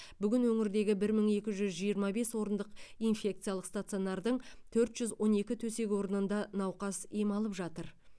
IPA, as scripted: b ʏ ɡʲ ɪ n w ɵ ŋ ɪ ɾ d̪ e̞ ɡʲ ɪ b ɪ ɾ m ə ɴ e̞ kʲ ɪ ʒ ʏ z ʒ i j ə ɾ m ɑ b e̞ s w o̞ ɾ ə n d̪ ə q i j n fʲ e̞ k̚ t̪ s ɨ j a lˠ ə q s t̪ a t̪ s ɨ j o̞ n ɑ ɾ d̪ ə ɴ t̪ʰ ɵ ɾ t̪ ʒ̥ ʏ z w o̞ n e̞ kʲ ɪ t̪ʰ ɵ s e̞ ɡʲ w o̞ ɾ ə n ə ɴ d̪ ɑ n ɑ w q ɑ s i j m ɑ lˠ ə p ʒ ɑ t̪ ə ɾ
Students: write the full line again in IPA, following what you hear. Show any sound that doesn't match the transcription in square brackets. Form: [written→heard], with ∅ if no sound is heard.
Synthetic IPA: b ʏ ɡʲ ɪ n w ɵ ŋ ɪ ɾ d̪ e̞ ɡʲ ɪ b ɪ ɾ m ə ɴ e̞ kʲ ɪ ʒ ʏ z ʒ i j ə ɾ m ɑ b e̞ s w o̞ ɾ ə n d̪ ə q i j n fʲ e̞ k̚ t̪ s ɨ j a lˠ ə q s t̪ a t̪ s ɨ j o̞ n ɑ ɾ d̪ ə ɴ t̪ʰ ɵ ɾ t̪ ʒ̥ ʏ z w o̞ n e̞ kʲ ɪ t̪ʰ ɵ s e̞ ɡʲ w o̞ ɾ ə n ə [ɴ→n] d̪ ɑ n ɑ w q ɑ s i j m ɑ lˠ ə p ʒ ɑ t̪ ə ɾ

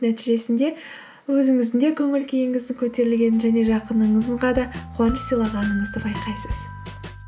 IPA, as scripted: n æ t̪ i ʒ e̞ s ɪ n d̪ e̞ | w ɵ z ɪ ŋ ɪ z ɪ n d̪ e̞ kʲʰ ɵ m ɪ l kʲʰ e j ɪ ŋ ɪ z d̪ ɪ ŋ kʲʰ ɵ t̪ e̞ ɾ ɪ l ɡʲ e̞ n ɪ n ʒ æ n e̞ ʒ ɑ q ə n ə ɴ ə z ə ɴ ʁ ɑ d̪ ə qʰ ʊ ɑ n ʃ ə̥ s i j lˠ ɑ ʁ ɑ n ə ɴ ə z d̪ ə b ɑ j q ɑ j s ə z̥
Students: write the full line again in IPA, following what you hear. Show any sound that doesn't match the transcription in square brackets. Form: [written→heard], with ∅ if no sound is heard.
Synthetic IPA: n æ t̪ i ʒ e̞ s ɪ n d̪ e̞ | w ɵ z ɪ ŋ ɪ z ɪ n d̪ e̞ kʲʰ ɵ [m→ŋ] ɪ l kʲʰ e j ɪ ŋ ɪ z d̪ ɪ ŋ kʲʰ ɵ t̪ e̞ ɾ ɪ l ɡʲ e̞ n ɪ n ʒ æ n e̞ ʒ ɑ q ə n ə ɴ ə z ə ɴ ʁ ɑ d̪ [ə→ɑ] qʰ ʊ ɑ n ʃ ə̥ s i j lˠ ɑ ʁ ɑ n ə ɴ ə z d̪ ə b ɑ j q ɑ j s ə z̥

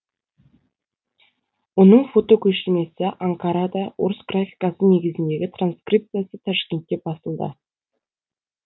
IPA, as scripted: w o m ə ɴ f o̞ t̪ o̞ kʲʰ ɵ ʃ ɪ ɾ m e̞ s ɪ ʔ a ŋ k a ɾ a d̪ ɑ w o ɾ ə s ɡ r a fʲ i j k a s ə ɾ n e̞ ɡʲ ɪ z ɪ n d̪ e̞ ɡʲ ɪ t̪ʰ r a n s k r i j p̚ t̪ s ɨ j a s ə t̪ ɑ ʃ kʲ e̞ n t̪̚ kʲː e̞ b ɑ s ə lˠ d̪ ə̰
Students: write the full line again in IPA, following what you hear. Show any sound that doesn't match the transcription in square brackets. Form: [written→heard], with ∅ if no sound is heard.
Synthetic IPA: w o [m→n] ə ɴ f o̞ t̪ o̞ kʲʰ ɵ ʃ ɪ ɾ m e̞ s ɪ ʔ a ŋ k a ɾ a d̪ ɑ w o ɾ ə s ɡ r a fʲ i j k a s ə [ɾ→∅] n e̞ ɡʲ ɪ z ɪ n d̪ e̞ ɡʲ ɪ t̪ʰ r a n s k r i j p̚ t̪ s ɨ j a s ə [t̪→t̪ʰ] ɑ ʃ kʲ e̞ n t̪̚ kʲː e̞ b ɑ s ə lˠ d̪ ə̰

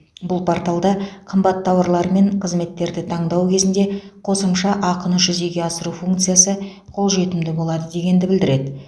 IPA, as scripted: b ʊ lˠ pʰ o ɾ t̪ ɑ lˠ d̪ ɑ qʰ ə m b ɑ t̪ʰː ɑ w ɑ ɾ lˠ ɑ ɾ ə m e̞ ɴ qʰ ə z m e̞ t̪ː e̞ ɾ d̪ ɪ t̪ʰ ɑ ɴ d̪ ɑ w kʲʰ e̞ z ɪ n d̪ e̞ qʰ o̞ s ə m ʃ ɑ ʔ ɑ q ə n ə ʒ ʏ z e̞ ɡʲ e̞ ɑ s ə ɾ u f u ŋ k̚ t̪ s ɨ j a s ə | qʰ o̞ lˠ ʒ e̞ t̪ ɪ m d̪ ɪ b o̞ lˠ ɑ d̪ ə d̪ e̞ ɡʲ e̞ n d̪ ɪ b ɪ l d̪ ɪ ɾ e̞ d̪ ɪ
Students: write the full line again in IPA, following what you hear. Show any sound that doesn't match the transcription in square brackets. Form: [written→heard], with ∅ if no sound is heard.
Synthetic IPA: b ʊ lˠ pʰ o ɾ t̪ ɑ lˠ d̪ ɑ qʰ ə m b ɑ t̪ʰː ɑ w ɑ ɾ lˠ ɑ ɾ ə m e̞ ɴ qʰ ə z m e̞ t̪ː e̞ ɾ d̪ ɪ t̪ʰ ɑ ɴ d̪ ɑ w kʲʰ e̞ z ɪ n d̪ e̞ qʰ o̞ s ə m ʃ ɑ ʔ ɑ q ə n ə ʒ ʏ z e̞ ɡʲ e̞ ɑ s ə ɾ u f u ŋ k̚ t̪ s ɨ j a s ə | qʰ o̞ lˠ ʒ e̞ t̪ ɪ m d̪ ɪ b o̞ lˠ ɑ d̪ ə d̪ e̞ ɡʲ e̞ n d̪ ɪ b ɪ l d̪ ɪ ɾ e̞ d̪ ɪ

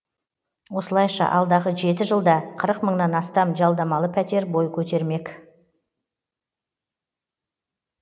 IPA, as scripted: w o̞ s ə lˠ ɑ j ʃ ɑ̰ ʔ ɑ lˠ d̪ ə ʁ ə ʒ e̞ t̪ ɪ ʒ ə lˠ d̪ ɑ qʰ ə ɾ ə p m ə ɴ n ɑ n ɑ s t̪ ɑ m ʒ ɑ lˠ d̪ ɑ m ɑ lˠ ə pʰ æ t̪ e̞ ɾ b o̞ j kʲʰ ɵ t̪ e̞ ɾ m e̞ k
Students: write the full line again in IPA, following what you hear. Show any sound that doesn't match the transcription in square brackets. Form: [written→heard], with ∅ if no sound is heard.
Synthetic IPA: w o̞ s ə lˠ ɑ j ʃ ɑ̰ ʔ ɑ lˠ d̪ [ə→ɑ] ʁ ə ʒ e̞ t̪ ɪ ʒ ə lˠ d̪ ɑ qʰ ə ɾ ə [p→q] m ə ɴ n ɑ n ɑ s t̪ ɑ m ʒ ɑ lˠ d̪ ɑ m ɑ lˠ ə pʰ æ t̪ e̞ ɾ b o̞ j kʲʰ ɵ t̪ e̞ ɾ m e̞ k

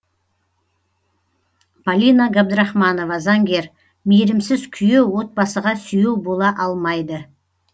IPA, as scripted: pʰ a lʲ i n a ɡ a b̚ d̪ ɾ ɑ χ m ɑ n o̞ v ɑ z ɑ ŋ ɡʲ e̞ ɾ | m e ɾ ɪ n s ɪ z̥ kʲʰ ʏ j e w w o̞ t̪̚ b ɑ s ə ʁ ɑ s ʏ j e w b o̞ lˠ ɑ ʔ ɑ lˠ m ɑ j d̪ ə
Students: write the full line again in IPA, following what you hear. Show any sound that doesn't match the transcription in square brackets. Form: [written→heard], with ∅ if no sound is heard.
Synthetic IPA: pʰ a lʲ i n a ɡ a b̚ d̪ ɾ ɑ χ m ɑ n o̞ v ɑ z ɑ ŋ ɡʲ e̞ ɾ | m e ɾ ɪ [n→m] s ɪ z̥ kʲʰ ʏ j e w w o̞ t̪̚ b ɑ s ə ʁ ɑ s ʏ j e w b o̞ lˠ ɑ ʔ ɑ lˠ m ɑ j d̪ ə

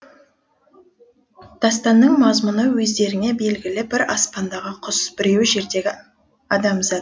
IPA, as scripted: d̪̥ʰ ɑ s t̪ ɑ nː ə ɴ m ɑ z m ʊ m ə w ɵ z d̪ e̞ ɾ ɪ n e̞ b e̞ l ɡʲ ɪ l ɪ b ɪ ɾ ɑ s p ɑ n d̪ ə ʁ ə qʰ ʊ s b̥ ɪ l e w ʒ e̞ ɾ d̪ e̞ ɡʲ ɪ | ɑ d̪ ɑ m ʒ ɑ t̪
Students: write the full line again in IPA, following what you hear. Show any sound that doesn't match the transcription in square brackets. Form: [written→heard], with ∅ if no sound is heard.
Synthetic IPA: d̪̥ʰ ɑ s t̪ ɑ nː ə ɴ m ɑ z m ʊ [m→n] ə w ɵ z d̪ e̞ ɾ ɪ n e̞ b e̞ l ɡʲ ɪ l ɪ b ɪ ɾ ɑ s p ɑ n d̪ [ə→ɑ] ʁ ə qʰ ʊ s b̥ ɪ [l→ɾ] e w ʒ e̞ ɾ d̪ e̞ ɡʲ ɪ | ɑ d̪ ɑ m [ʒ→z] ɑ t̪

